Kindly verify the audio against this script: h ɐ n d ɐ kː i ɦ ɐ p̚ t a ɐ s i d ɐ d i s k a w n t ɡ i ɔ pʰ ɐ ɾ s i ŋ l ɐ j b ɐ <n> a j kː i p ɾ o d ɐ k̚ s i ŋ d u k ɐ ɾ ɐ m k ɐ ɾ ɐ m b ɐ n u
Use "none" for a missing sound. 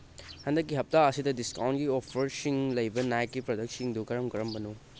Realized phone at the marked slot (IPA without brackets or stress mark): n